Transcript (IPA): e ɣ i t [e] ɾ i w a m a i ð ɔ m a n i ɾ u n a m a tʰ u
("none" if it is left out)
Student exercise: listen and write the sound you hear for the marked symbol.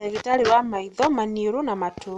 a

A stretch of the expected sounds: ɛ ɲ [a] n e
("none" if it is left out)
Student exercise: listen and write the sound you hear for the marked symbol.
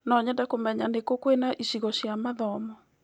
a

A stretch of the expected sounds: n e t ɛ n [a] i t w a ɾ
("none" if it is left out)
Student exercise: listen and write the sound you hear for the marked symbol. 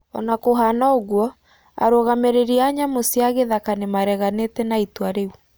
a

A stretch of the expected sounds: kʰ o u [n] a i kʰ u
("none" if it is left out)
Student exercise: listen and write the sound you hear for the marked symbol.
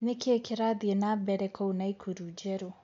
n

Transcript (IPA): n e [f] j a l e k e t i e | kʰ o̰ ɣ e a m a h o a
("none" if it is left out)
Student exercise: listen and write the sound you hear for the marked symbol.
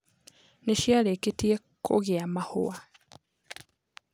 ʃ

